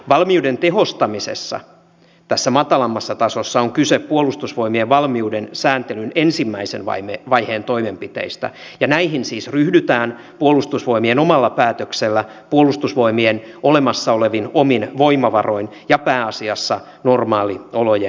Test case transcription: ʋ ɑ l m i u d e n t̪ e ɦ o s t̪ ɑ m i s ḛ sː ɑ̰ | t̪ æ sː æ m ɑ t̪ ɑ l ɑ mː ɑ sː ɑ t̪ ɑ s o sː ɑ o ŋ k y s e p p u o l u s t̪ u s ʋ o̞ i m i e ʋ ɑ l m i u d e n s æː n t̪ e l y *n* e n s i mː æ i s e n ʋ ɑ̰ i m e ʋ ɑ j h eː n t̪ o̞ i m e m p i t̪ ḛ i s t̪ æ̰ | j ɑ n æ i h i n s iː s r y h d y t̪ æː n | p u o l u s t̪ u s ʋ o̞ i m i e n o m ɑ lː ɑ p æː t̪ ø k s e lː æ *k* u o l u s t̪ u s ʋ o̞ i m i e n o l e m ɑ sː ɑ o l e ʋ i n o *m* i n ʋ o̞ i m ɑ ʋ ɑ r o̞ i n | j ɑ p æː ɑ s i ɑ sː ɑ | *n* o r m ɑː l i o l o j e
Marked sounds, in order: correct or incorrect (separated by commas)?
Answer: correct, incorrect, correct, correct